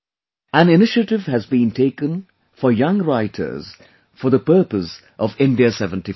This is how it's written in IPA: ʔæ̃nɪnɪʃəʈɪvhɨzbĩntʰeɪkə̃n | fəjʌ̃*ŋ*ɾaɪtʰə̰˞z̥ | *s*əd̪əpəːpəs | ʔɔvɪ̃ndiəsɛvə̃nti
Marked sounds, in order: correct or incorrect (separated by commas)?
correct, incorrect